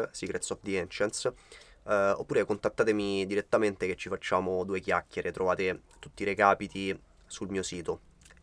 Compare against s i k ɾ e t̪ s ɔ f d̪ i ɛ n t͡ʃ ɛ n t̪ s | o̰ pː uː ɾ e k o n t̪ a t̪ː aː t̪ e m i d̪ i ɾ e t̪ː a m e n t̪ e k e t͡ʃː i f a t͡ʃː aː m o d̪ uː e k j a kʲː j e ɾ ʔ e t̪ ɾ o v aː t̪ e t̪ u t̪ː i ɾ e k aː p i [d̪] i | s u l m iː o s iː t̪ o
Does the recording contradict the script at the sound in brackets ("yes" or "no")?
yes